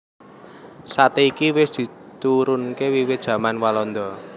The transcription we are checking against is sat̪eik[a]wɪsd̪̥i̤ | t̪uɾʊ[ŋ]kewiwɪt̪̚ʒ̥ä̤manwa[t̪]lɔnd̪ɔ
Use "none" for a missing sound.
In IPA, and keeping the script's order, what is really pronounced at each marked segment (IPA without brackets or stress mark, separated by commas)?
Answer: i, n, none